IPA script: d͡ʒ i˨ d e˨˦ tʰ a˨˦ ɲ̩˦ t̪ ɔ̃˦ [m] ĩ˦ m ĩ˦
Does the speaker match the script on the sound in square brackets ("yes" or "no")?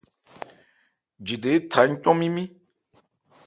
yes